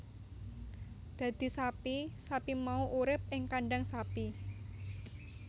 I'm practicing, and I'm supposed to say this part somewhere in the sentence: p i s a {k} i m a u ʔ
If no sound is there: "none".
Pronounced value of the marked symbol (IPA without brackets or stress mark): p